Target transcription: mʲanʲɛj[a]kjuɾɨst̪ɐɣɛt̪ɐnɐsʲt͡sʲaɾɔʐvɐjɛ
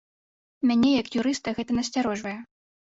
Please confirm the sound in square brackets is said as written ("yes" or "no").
no